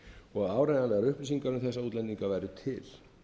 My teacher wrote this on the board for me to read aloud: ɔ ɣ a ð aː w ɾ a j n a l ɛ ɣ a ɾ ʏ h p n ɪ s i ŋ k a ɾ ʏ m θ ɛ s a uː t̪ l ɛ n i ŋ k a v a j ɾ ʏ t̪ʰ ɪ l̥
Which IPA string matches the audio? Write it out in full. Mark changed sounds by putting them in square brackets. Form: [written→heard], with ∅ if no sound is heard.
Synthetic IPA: ɔ ɣ a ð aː w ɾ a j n a l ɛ ɣ a ɾ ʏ h p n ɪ s i ŋ k a ɾ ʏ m θ ɛ [s→sː] a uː t̪ l ɛ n i ŋ k a v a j ɾ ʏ t̪ʰ ɪ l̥